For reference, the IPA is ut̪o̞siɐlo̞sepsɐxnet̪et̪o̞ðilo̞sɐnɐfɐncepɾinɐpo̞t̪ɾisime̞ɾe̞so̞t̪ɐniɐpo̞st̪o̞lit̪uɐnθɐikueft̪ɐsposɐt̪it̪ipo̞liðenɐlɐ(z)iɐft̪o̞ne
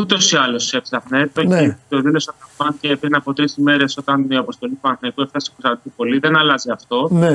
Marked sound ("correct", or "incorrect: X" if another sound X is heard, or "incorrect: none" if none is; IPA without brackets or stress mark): correct